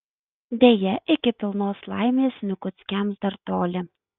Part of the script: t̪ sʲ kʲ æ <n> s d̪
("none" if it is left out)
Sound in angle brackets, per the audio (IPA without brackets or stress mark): m